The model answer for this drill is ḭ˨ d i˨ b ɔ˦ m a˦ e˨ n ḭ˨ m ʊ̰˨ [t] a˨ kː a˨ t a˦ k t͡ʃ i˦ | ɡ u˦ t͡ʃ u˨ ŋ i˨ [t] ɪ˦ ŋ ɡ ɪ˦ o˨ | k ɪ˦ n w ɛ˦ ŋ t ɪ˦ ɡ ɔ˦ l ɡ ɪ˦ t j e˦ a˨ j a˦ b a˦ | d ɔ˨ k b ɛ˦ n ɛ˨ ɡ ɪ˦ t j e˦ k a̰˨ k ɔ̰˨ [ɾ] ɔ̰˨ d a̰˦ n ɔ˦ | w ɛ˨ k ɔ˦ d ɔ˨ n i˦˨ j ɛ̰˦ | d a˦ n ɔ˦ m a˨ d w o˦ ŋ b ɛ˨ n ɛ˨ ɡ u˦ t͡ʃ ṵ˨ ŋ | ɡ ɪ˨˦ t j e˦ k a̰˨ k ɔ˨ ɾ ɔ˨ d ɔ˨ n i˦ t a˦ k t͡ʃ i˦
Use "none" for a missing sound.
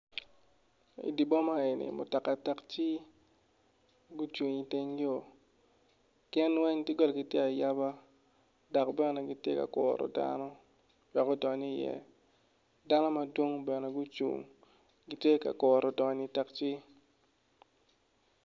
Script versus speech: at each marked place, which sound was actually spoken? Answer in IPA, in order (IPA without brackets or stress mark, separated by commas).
t, t, ɾ